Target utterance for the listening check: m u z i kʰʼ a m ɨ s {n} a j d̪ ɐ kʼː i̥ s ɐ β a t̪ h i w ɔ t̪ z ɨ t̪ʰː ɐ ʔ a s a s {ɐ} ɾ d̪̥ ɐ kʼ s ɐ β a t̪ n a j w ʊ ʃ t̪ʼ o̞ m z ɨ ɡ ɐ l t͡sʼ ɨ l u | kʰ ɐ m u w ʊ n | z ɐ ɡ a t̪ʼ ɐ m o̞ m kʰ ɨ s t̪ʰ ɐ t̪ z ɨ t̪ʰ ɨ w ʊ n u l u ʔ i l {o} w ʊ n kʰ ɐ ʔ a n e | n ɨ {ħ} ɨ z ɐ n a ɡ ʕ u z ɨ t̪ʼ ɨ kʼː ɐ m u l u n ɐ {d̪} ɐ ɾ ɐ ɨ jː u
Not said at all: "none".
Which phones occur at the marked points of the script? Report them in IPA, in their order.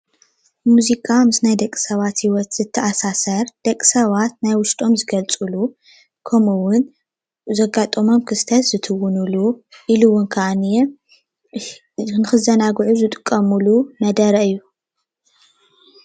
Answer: n, ɐ, u, x, d̪

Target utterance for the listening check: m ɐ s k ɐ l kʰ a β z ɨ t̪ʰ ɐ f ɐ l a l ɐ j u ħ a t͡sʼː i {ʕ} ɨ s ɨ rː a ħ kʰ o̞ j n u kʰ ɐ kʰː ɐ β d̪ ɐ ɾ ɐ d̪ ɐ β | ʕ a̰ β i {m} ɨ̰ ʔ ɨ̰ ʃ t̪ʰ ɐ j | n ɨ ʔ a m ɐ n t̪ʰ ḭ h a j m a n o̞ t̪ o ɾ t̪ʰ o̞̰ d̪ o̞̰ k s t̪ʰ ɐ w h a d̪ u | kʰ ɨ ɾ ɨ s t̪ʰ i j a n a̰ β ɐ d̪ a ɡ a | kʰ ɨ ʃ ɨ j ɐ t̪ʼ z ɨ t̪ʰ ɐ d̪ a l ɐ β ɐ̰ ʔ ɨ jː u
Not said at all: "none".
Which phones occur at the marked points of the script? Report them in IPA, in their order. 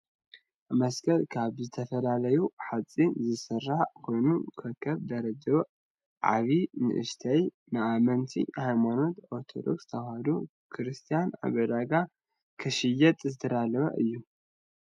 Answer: z, n

